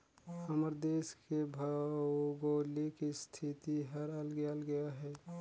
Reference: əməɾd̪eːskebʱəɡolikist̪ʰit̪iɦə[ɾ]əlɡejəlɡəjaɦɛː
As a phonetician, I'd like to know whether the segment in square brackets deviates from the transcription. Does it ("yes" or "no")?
no